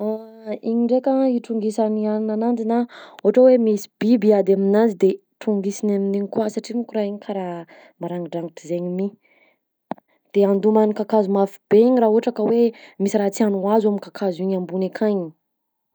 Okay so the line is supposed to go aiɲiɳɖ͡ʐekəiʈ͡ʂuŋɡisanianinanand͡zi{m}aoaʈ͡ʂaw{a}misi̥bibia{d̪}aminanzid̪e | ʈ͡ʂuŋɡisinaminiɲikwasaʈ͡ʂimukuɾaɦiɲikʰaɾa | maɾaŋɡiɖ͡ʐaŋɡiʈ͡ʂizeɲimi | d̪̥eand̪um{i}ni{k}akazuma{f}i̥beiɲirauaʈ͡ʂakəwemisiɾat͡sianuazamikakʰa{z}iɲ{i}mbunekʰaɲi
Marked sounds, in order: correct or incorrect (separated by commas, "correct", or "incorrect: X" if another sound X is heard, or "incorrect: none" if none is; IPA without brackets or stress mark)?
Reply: incorrect: n, incorrect: e, correct, incorrect: a, correct, correct, correct, incorrect: a